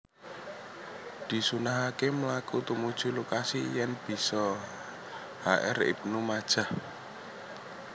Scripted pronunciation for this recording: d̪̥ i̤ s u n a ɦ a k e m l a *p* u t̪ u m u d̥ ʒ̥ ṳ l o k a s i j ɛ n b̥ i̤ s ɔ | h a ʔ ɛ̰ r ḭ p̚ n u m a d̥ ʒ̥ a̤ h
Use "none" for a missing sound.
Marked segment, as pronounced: k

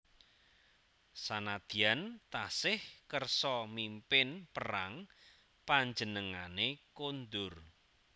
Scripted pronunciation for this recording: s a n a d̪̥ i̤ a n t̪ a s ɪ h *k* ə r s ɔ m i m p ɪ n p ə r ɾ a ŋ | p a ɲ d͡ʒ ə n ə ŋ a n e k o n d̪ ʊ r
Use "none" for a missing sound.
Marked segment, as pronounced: k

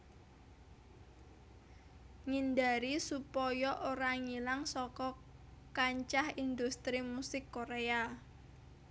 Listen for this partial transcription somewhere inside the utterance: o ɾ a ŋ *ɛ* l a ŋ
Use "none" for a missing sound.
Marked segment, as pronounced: i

